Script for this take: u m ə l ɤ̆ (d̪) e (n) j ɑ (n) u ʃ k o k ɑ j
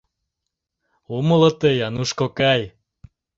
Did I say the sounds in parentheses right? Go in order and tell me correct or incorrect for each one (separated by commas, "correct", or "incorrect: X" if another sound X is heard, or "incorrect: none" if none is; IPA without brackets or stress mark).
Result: incorrect: t̪, incorrect: none, correct